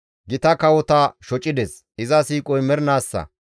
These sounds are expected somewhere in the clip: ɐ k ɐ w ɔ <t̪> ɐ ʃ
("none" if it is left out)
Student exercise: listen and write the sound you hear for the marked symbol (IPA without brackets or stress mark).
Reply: t̪